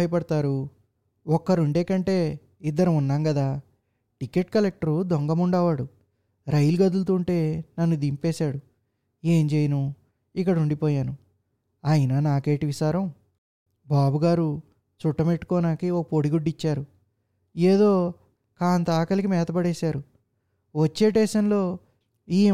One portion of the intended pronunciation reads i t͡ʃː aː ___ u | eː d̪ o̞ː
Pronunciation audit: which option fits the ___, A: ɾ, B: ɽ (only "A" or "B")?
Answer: A